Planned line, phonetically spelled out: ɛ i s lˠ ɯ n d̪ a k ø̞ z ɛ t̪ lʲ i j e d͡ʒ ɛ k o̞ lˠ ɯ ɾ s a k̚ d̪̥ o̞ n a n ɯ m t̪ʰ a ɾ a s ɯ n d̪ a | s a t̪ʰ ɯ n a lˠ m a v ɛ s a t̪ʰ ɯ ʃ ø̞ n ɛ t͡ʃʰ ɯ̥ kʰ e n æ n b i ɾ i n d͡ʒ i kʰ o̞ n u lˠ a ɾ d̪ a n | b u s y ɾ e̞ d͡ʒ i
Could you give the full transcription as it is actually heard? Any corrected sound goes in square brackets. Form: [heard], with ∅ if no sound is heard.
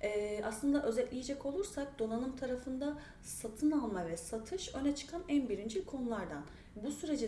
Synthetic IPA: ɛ [a] s lˠ ɯ n d̪ a [ʔ] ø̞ z ɛ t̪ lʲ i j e d͡ʒ ɛ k o̞ lˠ [u] ɾ s a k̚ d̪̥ o̞ n a n ɯ m t̪ʰ a ɾ a [f] ɯ n d̪ a | s a t̪ʰ ɯ n a lˠ m a v ɛ s a t̪ʰ ɯ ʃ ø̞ n ɛ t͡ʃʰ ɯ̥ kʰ [a] n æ n b i ɾ i n d͡ʒ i kʰ o̞ n u lˠ a ɾ d̪ a n | b u s y ɾ e̞ d͡ʒ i